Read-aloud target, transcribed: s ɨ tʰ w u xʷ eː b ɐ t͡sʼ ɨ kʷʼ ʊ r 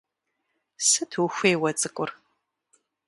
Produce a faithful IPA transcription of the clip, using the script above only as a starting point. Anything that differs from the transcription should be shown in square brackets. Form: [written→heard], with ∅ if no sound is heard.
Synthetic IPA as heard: s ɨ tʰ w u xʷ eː [b→w] ɐ t͡sʼ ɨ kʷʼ ʊ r